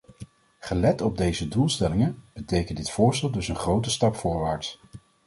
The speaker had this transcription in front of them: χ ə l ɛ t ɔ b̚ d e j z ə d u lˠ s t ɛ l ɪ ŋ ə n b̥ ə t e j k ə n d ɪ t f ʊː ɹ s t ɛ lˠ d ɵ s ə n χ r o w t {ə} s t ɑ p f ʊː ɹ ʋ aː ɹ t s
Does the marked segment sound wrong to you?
no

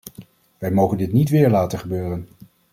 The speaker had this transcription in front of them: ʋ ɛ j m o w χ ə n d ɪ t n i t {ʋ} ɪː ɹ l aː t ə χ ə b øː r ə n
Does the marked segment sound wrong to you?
no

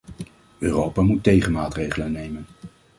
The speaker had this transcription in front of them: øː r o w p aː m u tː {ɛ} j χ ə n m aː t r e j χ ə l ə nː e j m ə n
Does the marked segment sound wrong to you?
yes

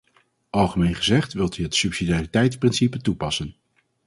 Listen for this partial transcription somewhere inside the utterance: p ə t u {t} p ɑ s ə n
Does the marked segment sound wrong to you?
yes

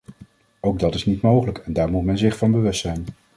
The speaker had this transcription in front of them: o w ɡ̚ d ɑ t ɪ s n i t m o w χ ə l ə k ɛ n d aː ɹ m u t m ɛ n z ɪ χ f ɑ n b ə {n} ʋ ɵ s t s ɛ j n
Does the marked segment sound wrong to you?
yes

